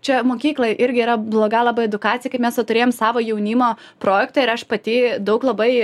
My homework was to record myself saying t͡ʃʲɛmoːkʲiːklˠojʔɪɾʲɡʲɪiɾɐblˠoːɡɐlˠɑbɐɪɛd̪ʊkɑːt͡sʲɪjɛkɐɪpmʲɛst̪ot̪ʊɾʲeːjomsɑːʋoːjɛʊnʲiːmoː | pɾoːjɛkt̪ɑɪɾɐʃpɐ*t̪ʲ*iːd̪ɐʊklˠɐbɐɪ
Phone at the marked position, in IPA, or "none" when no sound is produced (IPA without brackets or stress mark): t̪ʲ